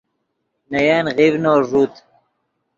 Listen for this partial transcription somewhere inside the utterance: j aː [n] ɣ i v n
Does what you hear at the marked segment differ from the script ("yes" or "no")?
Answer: no